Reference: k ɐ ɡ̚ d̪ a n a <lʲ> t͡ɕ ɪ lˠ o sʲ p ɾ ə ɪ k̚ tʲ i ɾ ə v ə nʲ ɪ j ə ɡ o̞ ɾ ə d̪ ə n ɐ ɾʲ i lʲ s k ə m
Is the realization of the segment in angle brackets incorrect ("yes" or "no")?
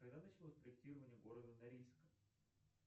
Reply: yes